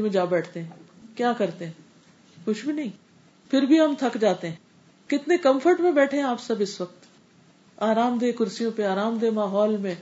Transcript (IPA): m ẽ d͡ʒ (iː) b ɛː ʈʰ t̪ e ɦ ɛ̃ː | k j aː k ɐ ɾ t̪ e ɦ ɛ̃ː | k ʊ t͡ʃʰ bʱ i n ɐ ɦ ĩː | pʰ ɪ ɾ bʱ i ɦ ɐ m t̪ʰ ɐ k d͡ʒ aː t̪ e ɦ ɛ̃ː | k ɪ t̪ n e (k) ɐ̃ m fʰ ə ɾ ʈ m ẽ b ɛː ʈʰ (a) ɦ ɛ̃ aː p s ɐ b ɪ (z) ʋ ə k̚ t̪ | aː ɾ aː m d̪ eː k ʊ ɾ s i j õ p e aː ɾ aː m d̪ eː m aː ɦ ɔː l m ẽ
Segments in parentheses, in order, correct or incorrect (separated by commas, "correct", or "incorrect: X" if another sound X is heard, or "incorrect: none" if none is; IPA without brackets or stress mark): incorrect: aː, correct, incorrect: e, incorrect: s